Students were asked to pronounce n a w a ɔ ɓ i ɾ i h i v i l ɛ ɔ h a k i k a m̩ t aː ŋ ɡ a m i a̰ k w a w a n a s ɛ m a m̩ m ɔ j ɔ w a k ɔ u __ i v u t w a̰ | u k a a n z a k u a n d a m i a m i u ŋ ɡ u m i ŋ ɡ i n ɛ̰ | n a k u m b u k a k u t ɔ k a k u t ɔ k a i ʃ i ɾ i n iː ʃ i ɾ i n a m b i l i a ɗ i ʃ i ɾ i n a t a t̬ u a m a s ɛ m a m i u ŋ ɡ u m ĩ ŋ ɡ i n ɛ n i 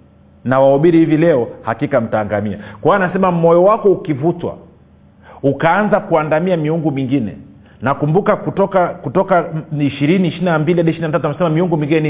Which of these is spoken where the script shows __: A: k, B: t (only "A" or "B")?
A